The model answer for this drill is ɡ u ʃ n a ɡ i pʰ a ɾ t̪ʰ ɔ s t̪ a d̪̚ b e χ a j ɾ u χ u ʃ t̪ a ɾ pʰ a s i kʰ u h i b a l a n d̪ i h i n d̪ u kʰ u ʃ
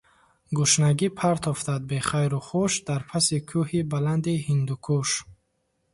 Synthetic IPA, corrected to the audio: ɡ u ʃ n a ɡ i pʰ a ɾ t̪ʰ ɔ f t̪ a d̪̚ b e χ a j ɾ u χ u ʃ d̪ a ɾ pʰ a s i kʰ u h i b a l a n d̪ i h i n d̪ u kʰ u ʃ

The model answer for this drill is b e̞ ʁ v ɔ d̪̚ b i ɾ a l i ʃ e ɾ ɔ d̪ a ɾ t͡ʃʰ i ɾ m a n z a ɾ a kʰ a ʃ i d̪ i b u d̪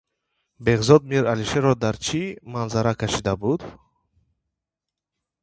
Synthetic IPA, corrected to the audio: b e̞ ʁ z ɔ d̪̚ m i ɾ a l i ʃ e ɾ ɔ d̪ a ɾ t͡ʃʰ i m a n z a ɾ a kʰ a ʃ i d̪ a b u d̪

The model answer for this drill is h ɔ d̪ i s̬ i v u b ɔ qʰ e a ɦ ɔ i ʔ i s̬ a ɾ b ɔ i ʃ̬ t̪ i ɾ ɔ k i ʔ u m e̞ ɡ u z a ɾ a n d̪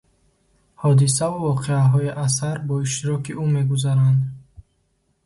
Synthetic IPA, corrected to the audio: h ɔ d̪ i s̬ a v u v ɔ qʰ e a ɦ ɔ i ʔ a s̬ a ɾ b ɔ i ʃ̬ t̪ i ɾ ɔ k i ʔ u m e̞ ɡ u z a ɾ a n d̪

